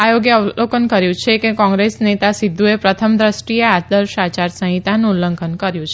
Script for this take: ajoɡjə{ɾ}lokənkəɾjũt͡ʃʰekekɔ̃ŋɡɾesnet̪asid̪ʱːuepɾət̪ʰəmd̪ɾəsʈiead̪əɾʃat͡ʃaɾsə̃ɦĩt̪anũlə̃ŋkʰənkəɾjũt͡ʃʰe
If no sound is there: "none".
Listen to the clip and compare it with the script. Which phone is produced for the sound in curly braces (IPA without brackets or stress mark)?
none